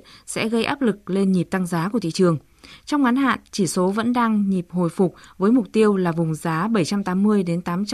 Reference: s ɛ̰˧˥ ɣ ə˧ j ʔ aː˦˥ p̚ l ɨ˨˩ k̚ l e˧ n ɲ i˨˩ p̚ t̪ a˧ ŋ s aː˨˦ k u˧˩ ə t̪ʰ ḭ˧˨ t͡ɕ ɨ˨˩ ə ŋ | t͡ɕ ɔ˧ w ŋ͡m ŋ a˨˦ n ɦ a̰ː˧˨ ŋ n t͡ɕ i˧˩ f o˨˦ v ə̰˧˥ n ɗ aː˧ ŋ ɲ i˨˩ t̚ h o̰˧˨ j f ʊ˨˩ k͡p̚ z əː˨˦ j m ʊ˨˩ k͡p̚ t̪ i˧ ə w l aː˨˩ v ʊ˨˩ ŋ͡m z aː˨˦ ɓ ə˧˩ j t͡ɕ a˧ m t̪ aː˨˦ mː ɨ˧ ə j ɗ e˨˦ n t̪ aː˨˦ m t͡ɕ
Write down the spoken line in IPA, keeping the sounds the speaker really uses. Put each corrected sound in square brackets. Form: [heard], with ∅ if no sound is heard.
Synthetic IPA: s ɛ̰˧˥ ɣ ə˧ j ʔ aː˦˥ p̚ l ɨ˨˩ k̚ l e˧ n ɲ i˨˩ p̚ t̪ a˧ ŋ [z] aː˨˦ k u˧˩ ə t̪ʰ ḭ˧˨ t͡ɕ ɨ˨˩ ə ŋ | t͡ɕ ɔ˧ w ŋ͡m ŋ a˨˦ n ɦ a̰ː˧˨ [∅] n t͡ɕ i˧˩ [s] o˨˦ v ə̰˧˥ n ɗ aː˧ ŋ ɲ i˨˩ [p̚] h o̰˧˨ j f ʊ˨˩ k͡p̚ [v] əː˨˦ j m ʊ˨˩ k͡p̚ t̪ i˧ ə w l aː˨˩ v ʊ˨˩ ŋ͡m z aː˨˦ ɓ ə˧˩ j t͡ɕ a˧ m t̪ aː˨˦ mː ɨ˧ ə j ɗ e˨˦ n t̪ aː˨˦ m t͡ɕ